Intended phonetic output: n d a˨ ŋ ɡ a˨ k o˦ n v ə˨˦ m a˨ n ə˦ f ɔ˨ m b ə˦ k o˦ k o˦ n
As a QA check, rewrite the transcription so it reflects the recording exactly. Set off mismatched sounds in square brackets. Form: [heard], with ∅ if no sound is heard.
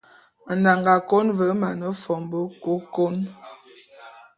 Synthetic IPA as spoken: n d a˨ ŋ ɡ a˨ k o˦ n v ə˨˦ m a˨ n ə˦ f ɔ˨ m b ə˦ k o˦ k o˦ n